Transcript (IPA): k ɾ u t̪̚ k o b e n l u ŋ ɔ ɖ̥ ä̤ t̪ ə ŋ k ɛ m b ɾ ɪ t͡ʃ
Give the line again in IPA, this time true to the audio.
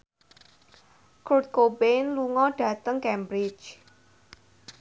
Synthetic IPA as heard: k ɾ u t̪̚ k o b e n l u ŋ ɔ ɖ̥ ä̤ t̪ ə ŋ k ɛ m b ɾ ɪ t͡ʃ